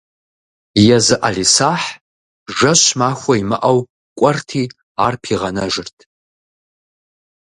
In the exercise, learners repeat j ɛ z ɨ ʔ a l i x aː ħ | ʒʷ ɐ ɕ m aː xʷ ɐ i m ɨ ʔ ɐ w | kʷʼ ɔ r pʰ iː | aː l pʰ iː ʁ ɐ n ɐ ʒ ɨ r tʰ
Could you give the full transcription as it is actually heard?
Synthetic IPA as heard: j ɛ z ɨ ʔ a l i s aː ħ | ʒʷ ɐ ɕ m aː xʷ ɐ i m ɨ ʔ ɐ w | kʷʼ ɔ r tʰ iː | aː r pʰ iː ʁ ɐ n ɐ ʒ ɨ r tʰ